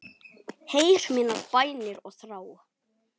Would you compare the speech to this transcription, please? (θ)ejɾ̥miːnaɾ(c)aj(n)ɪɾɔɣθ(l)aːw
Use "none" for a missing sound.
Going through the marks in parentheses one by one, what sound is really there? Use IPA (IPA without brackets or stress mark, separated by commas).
h, p, n, ɾ